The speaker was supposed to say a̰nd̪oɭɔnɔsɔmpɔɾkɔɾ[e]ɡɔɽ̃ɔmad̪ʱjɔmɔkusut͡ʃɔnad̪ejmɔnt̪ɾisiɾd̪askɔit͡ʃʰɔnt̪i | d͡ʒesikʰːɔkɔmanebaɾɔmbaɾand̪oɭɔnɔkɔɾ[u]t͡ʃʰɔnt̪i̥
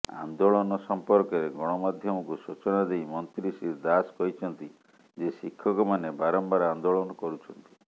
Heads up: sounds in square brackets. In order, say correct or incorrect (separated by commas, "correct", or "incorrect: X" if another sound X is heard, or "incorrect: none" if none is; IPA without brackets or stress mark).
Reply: correct, correct